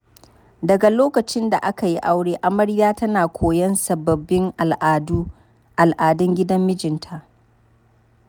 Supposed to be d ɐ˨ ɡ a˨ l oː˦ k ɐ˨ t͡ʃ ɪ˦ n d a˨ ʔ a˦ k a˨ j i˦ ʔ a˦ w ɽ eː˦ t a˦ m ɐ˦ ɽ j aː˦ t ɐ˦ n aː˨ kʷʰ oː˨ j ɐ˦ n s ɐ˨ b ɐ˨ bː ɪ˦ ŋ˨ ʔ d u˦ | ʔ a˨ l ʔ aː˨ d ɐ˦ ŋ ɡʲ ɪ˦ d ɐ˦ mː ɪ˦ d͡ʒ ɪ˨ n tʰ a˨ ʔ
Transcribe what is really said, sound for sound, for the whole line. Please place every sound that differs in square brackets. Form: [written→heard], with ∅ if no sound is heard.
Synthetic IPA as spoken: d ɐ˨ ɡ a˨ l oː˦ k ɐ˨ t͡ʃ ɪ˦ n d a˨ ʔ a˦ k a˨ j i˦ ʔ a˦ w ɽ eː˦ [t→ʔ] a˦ m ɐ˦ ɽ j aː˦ t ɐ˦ n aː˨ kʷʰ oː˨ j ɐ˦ n s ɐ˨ b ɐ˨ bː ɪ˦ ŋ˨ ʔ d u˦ | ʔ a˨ l ʔ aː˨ d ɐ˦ ŋ ɡʲ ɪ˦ d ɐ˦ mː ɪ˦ d͡ʒ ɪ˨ n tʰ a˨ ʔ